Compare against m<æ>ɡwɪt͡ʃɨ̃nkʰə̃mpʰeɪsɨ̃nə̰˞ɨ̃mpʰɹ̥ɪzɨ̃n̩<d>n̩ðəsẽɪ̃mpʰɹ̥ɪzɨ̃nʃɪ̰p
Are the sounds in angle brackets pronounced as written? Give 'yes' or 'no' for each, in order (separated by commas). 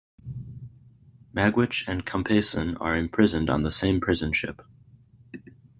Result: yes, yes